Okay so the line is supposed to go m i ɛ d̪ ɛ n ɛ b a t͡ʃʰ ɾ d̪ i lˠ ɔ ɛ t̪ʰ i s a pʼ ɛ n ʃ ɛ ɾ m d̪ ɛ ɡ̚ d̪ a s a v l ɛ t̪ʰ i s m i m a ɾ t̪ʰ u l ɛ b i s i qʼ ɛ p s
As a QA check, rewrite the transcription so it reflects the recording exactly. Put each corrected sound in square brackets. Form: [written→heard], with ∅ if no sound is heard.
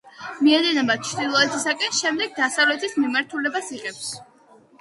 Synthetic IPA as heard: m i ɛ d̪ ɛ n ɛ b a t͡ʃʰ ɾ d̪ i lˠ ɔ ɛ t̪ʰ i s a [pʼ→kʼ] ɛ n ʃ ɛ [ɾ→∅] m d̪ ɛ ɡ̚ d̪ a s a v l ɛ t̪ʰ i s m i m a ɾ t̪ʰ u l ɛ b [i→a] s i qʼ ɛ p s